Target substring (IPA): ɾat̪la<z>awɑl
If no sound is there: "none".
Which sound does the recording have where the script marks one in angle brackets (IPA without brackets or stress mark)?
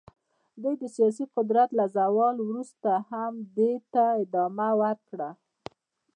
z